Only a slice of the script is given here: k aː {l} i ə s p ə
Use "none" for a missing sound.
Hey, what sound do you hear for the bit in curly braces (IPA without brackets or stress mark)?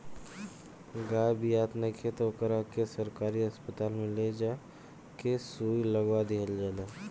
ɾ